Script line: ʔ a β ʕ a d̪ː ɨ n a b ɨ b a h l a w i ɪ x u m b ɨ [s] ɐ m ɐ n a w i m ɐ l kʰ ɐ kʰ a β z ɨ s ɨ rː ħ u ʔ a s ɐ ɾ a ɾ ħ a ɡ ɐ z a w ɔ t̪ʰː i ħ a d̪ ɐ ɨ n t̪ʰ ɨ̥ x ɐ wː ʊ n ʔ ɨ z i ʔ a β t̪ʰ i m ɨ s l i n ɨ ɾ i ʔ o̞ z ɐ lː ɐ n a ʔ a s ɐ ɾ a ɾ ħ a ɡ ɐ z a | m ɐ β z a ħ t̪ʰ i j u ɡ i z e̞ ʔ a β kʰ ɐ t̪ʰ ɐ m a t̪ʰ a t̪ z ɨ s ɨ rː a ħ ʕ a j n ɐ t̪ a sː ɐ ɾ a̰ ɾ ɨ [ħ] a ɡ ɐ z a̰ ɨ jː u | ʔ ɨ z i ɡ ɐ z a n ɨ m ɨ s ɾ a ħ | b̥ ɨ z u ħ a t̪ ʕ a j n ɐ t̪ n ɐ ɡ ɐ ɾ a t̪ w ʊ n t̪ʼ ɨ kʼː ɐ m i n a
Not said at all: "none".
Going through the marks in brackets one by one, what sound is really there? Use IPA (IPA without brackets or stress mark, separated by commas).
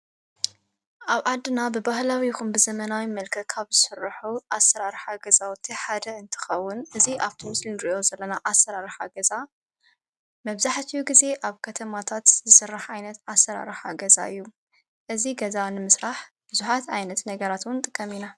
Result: z, ħ